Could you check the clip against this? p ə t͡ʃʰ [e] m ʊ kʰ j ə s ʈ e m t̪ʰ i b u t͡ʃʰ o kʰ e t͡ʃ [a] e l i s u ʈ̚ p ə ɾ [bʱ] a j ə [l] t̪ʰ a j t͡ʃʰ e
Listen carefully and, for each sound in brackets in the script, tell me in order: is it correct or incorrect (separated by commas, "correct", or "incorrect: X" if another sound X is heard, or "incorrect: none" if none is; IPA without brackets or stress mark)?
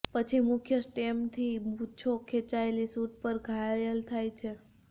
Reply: incorrect: i, correct, incorrect: ɡʱ, correct